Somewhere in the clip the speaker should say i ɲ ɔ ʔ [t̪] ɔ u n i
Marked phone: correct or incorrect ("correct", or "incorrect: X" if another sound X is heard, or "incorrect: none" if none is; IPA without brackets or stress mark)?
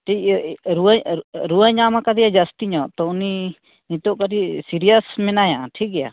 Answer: correct